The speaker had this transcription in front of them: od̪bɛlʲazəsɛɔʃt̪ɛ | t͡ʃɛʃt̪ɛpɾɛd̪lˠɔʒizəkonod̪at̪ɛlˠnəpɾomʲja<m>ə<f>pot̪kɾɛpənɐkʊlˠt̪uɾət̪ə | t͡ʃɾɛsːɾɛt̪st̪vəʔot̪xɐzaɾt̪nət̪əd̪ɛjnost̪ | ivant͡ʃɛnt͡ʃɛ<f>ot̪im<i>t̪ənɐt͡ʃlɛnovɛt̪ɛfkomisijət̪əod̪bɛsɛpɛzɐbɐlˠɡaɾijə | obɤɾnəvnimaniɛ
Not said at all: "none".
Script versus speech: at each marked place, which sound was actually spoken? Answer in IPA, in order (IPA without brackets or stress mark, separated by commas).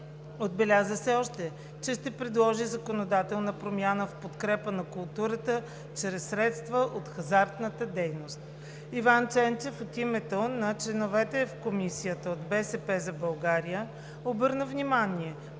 n, f, f, ɛ